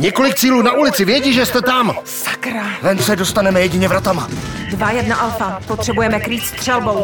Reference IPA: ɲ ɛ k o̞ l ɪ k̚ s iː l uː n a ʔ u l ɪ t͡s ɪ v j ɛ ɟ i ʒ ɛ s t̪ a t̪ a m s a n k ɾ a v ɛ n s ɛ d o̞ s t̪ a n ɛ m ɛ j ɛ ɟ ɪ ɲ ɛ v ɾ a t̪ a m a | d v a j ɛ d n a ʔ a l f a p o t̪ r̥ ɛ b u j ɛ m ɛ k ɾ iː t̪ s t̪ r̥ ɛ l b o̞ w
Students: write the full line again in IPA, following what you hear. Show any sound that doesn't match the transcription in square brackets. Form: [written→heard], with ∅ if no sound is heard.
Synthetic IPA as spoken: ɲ ɛ k o̞ l ɪ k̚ [s→t͡s] iː l uː n a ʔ u l ɪ t͡s ɪ v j ɛ ɟ i ʒ ɛ s t̪ [a→ɛ] t̪ a m s a [n→∅] k ɾ a v ɛ n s ɛ d o̞ s t̪ a n ɛ m ɛ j ɛ ɟ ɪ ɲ ɛ v ɾ a t̪ a m a | d v a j ɛ d n a ʔ a l f a p o t̪ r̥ ɛ b u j ɛ m ɛ k ɾ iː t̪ s t̪ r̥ ɛ l b o̞ w